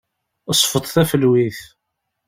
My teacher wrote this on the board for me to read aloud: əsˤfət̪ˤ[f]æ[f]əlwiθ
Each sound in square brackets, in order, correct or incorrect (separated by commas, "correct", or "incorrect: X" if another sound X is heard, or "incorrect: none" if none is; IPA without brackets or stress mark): incorrect: θ, correct